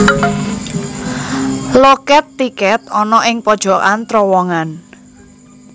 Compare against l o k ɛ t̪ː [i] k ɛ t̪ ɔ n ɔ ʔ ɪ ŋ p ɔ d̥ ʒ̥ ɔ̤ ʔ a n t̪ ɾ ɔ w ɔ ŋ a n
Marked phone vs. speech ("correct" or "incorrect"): correct